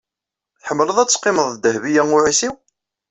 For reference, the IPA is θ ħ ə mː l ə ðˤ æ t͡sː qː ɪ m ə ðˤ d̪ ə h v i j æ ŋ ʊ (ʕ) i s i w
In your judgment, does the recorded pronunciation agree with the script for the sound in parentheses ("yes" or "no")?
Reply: yes